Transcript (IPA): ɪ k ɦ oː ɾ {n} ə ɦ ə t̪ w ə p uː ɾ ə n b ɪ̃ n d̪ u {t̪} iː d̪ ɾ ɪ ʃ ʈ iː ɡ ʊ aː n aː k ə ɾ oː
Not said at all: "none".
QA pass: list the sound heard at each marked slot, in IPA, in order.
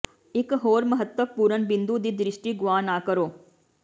m, d̪

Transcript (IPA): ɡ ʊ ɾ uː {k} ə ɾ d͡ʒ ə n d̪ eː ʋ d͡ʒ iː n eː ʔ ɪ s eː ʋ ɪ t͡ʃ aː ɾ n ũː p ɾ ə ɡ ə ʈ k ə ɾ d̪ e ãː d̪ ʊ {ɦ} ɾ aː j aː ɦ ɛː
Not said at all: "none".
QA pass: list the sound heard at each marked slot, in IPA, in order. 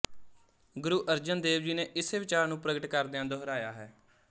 ʔ, ɦ

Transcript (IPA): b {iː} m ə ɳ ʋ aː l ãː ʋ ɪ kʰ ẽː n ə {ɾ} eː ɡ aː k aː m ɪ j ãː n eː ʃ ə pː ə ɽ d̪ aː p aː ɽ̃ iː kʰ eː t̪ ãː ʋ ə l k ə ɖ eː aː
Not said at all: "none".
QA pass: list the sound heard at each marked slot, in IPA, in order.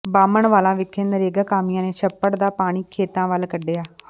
aː, ɾ

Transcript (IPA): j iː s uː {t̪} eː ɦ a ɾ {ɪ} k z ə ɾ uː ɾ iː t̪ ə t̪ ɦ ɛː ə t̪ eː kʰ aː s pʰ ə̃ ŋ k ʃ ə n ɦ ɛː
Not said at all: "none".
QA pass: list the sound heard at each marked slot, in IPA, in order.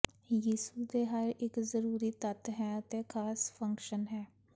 d̪, ɪ

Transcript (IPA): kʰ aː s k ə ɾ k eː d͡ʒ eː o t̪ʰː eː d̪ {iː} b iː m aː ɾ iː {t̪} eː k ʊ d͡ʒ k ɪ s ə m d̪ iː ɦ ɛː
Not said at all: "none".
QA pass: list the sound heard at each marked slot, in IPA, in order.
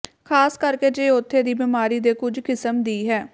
iː, d̪

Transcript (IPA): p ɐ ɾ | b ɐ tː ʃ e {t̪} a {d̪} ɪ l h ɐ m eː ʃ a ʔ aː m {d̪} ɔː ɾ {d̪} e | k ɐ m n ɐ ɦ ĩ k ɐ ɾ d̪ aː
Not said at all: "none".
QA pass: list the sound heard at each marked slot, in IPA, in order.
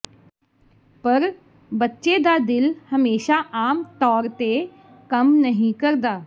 d̪, d̪, t̪, t̪

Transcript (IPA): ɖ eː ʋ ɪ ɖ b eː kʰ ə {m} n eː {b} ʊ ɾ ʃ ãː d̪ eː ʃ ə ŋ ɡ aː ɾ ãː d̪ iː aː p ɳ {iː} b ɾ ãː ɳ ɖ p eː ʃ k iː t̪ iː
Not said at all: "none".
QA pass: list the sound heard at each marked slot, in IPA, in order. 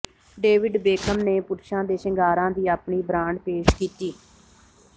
m, p, iː

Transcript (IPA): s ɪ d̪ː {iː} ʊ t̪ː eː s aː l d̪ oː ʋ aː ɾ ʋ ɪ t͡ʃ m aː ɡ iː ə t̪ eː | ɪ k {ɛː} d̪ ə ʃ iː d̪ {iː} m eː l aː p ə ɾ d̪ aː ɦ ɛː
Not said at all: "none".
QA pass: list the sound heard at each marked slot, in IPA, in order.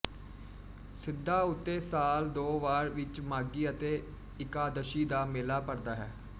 aː, aː, aː

